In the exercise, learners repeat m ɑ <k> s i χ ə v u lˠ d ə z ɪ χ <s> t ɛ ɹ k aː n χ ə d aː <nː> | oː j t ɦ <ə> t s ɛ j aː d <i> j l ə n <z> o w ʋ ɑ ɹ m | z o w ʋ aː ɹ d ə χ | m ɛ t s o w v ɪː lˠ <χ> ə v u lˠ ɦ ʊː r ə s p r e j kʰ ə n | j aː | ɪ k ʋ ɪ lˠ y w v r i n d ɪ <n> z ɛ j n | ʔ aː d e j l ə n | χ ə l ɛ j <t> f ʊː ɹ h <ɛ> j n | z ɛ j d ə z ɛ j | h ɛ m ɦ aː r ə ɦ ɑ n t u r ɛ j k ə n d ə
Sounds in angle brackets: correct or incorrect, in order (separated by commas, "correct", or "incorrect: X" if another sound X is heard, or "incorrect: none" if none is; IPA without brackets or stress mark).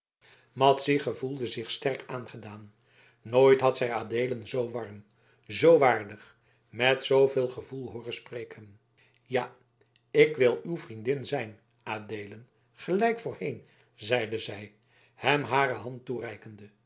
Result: incorrect: t, correct, correct, incorrect: ɑ, incorrect: e, correct, correct, correct, incorrect: k, incorrect: e